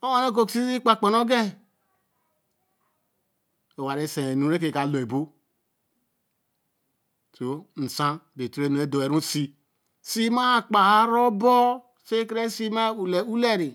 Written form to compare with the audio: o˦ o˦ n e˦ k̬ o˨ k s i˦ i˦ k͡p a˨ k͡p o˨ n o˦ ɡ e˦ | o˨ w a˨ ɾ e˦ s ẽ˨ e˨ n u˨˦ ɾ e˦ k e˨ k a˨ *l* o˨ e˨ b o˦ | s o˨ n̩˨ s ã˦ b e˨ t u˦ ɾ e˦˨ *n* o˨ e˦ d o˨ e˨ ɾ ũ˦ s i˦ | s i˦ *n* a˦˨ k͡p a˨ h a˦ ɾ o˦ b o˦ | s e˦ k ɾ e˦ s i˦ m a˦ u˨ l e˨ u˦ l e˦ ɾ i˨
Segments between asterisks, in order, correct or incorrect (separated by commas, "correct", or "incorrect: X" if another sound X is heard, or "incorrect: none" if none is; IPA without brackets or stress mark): correct, correct, incorrect: m